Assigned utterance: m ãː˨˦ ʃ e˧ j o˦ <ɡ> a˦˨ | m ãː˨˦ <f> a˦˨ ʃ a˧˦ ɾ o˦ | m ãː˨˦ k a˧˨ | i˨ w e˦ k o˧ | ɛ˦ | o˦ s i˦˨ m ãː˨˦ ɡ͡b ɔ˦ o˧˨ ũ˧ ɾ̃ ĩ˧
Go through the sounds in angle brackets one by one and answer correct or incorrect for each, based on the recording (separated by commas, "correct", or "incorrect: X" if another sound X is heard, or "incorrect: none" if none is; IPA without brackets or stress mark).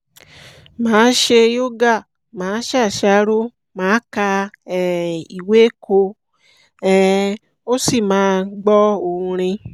correct, incorrect: ʃ